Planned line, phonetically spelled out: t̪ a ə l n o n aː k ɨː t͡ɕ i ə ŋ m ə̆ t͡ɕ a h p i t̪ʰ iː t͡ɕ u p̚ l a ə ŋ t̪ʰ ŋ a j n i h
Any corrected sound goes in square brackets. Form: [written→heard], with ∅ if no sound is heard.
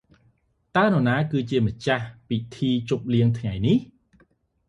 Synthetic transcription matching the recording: t̪ a ə [l→∅] n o n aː k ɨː t͡ɕ i ə [ŋ→∅] m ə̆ t͡ɕ a h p i t̪ʰ iː t͡ɕ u p̚ l [a→i] ə ŋ t̪ʰ ŋ a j n i h